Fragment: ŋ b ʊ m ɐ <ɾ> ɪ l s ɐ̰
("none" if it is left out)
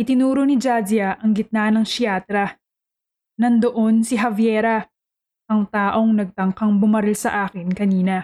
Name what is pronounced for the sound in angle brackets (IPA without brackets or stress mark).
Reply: ɾ